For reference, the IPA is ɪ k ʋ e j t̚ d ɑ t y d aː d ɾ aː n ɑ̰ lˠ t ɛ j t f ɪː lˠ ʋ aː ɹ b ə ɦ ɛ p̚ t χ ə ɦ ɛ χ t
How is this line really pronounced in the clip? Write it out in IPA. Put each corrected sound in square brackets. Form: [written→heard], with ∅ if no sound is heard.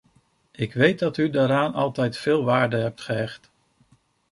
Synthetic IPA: ɪ k ʋ e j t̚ d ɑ t y d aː [d→∅] ɾ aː n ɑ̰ lˠ t ɛ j t f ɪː lˠ ʋ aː ɹ [b→d] ə ɦ ɛ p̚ t χ ə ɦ ɛ χ t